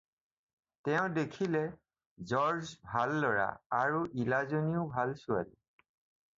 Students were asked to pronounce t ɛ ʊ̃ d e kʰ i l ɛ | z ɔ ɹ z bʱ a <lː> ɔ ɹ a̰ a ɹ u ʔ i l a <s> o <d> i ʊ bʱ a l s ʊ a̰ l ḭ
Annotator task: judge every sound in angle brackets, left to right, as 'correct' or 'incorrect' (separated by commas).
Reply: correct, incorrect, incorrect